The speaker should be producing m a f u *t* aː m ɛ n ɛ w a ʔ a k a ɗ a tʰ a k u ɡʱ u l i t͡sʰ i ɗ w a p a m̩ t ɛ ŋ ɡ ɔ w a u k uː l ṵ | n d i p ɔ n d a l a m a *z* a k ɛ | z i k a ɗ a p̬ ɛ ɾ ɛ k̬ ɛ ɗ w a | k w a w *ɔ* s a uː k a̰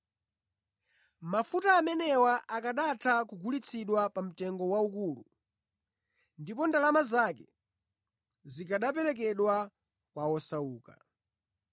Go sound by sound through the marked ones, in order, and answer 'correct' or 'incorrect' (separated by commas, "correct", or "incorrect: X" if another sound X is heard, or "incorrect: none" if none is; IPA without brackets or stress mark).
correct, correct, correct